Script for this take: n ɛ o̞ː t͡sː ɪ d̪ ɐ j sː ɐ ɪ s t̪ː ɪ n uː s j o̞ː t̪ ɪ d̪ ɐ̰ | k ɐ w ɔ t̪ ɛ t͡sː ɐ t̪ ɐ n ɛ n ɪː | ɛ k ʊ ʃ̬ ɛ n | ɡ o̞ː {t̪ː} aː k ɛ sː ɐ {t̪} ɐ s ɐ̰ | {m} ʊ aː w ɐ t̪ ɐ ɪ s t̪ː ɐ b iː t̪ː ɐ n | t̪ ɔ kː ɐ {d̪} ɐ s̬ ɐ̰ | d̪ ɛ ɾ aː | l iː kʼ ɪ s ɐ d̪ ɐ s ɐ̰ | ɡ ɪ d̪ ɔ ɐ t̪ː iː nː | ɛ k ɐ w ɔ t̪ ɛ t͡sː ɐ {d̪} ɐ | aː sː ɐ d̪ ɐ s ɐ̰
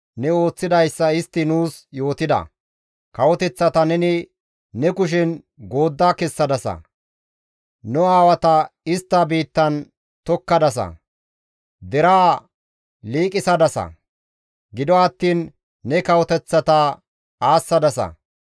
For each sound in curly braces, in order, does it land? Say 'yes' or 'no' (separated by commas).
no, no, no, yes, no